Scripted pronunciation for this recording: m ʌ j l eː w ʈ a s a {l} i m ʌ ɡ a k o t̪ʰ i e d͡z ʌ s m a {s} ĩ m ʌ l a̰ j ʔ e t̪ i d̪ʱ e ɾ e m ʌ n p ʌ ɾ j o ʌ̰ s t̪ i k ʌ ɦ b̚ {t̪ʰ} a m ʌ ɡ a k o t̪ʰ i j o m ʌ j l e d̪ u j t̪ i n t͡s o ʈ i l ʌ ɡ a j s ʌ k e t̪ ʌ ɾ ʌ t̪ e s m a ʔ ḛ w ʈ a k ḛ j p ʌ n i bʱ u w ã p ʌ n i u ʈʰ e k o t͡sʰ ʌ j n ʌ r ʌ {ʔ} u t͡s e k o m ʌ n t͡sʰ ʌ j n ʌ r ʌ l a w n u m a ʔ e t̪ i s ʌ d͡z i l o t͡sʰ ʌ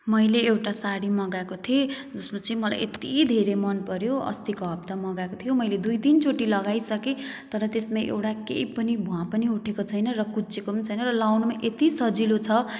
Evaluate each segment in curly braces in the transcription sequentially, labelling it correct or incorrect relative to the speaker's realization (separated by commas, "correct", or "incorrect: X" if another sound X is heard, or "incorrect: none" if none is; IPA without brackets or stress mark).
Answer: incorrect: ɽ, incorrect: t͡s, incorrect: t̪, incorrect: k